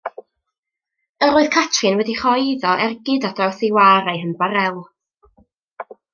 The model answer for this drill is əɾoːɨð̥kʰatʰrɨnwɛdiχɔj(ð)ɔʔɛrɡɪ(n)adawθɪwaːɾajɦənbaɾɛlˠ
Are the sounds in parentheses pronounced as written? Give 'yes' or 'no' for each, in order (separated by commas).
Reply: yes, no